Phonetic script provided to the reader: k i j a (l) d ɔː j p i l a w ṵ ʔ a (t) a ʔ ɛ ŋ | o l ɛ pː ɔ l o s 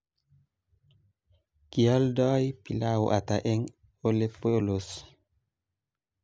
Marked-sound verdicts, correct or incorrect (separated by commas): correct, correct